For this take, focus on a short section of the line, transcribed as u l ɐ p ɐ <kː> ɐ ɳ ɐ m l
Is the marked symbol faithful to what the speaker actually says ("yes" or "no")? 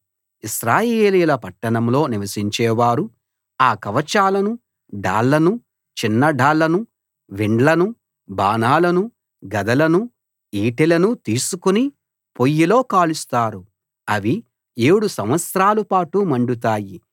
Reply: no